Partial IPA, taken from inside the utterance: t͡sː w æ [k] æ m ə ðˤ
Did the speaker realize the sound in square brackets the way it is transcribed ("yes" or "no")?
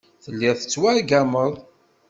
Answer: no